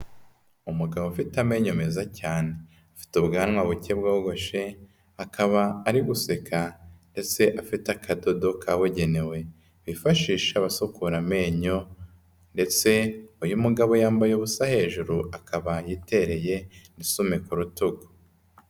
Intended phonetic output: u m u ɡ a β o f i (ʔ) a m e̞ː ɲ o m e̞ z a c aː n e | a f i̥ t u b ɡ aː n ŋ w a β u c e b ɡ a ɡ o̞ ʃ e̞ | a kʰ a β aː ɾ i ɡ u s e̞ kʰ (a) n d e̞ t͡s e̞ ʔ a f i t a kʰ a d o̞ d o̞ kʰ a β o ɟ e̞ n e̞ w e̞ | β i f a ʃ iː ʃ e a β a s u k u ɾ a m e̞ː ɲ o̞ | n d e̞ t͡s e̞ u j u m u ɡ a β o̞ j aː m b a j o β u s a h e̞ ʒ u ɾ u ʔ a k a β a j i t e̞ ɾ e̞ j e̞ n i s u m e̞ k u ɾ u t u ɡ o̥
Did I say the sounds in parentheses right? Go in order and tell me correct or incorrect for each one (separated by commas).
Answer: incorrect, correct